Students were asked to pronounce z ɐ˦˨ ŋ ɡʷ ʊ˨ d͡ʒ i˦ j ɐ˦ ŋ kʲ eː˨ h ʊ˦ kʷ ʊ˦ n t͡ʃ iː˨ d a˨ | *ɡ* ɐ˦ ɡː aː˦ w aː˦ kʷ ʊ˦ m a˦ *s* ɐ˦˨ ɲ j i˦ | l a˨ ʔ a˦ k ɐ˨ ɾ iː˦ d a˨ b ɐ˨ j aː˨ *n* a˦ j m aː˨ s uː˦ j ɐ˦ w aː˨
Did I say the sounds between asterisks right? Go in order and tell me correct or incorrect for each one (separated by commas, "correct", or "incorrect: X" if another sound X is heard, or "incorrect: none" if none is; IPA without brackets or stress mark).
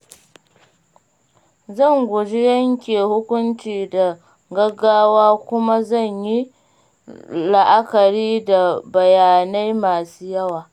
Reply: correct, incorrect: z, correct